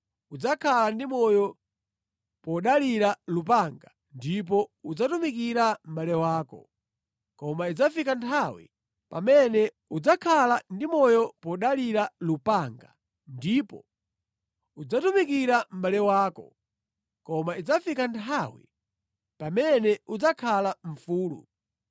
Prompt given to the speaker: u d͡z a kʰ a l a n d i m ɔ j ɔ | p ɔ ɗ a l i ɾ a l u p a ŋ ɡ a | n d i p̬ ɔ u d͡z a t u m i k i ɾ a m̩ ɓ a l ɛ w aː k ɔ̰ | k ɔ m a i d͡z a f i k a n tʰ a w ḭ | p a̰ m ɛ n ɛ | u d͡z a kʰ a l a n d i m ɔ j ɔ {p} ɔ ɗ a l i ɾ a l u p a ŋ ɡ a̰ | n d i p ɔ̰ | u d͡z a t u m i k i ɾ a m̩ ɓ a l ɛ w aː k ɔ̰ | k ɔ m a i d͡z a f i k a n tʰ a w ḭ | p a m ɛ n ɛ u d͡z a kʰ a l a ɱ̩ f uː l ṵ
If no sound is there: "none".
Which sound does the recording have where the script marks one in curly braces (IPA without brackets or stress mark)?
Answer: p